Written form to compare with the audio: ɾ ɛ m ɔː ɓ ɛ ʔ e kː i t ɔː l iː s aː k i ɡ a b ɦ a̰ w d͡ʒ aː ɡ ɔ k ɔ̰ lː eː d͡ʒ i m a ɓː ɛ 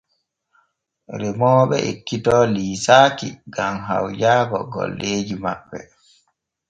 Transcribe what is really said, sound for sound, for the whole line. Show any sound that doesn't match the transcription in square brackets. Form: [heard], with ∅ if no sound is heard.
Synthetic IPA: ɾ ɛ m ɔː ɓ ɛ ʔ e kː i t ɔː l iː s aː k i ɡ a [m] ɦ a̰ w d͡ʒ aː ɡ ɔ [ɡ] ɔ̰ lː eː d͡ʒ i m a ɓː ɛ